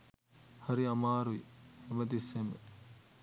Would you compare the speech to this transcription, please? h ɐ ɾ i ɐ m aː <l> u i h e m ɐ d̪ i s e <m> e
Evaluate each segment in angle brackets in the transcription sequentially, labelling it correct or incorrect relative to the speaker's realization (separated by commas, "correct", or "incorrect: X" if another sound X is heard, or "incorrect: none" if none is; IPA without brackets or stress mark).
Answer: incorrect: ɾ, correct